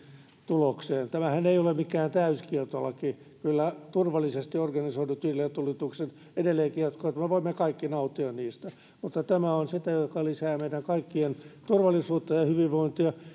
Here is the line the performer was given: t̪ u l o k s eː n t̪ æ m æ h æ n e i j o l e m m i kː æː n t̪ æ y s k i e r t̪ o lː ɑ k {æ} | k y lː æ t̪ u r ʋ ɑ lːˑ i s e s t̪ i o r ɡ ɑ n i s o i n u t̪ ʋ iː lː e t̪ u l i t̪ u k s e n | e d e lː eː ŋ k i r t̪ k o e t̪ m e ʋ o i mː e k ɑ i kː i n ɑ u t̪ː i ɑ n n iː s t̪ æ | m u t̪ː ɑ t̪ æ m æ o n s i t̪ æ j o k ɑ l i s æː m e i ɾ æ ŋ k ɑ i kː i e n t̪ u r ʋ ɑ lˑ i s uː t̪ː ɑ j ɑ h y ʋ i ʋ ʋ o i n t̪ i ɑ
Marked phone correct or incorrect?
incorrect: i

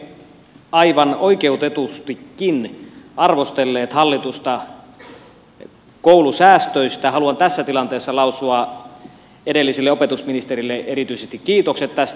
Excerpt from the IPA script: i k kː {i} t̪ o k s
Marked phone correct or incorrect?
incorrect: iː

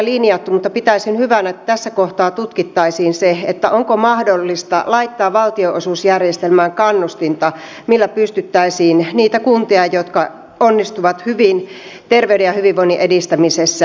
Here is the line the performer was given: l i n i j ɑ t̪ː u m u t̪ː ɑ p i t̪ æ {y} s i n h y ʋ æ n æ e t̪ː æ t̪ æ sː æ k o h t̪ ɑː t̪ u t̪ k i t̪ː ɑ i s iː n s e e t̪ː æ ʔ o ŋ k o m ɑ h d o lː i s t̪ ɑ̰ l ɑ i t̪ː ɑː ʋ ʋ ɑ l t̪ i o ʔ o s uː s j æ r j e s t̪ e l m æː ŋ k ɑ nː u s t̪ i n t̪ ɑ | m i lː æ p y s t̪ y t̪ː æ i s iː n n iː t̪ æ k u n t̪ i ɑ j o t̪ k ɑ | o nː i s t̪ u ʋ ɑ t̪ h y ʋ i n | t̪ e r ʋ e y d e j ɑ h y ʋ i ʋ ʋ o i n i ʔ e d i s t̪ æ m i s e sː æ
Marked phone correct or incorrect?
incorrect: i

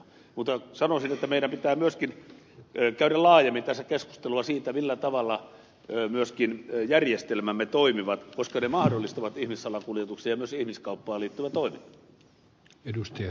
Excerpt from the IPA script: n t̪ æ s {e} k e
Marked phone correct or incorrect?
incorrect: æ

